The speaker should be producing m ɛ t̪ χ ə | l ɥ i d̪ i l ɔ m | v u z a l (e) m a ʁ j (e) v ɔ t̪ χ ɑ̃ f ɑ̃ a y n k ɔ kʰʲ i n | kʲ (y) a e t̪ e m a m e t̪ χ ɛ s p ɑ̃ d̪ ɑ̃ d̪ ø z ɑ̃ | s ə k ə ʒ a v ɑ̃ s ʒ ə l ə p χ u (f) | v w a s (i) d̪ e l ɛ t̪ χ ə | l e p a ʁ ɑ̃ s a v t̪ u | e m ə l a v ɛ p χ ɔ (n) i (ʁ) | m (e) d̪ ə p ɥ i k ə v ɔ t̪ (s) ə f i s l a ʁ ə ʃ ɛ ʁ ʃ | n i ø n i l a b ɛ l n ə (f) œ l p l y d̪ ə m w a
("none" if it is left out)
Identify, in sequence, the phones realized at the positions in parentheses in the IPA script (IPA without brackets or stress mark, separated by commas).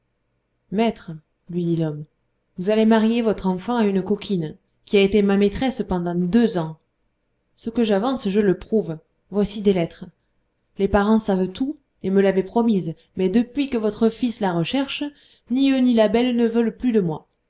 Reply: e, e, i, v, i, m, z, ɛ, χ, v